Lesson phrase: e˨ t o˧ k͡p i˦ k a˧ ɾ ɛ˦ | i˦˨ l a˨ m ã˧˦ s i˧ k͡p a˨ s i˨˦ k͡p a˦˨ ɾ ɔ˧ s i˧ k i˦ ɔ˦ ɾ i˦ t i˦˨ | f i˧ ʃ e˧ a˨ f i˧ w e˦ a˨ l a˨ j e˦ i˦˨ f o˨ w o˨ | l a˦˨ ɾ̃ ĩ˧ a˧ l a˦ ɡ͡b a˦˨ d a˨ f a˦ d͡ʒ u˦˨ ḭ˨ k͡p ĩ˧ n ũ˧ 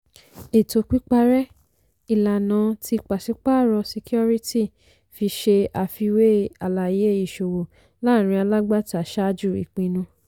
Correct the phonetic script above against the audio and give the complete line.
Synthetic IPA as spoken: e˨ t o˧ k͡p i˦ k͡p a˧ ɾ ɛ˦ | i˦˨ l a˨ n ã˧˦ t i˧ k͡p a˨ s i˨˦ k͡p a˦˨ ɾ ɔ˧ s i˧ k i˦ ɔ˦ ɾ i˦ t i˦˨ | f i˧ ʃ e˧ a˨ f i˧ w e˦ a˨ l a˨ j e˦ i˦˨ ʃ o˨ w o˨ | l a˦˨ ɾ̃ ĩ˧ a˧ l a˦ ɡ͡b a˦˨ t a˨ ʃ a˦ d͡ʒ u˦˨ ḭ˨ k͡p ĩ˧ n ũ˧

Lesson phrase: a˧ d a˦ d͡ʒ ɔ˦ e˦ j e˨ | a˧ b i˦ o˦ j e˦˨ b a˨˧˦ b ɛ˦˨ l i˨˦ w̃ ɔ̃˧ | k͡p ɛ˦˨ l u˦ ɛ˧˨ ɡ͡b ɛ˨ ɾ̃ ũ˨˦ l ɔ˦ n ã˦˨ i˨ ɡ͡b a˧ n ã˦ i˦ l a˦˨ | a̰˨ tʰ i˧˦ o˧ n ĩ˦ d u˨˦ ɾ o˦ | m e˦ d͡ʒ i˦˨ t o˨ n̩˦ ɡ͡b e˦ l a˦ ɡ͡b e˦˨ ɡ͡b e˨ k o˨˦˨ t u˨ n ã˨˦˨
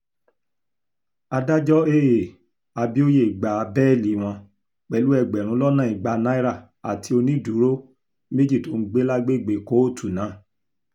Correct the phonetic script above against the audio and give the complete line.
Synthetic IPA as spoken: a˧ d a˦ d͡ʒ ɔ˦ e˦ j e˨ | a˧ b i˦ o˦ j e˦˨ ɡ͡b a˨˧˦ b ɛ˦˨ l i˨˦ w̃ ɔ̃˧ | k͡p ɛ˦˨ l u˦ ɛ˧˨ ɡ͡b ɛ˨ ɾ̃ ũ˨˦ l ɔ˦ n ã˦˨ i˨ ɡ͡b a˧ n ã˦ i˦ ɾ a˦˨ | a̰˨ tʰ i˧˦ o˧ n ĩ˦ d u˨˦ ɾ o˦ | m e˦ d͡ʒ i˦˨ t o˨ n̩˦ ɡ͡b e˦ l a˦ ɡ͡b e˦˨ ɡ͡b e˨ k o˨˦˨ t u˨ n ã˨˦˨

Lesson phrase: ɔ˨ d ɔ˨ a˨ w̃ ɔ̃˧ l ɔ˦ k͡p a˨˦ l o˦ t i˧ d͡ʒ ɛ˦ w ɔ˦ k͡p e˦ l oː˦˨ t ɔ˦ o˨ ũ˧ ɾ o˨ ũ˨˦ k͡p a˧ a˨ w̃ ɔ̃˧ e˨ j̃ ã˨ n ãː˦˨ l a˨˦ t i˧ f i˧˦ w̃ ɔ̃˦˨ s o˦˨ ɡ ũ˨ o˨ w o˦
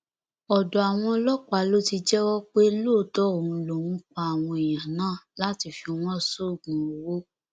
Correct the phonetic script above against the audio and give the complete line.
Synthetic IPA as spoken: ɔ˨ d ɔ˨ a˨ w̃ ɔ̃˧ l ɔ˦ k͡p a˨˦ l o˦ t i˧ d͡ʒ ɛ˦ w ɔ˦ k͡p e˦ l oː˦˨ t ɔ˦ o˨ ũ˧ l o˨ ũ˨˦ k͡p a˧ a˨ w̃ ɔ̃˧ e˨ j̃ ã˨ n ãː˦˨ l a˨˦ t i˧ f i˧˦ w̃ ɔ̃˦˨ s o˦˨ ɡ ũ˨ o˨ w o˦

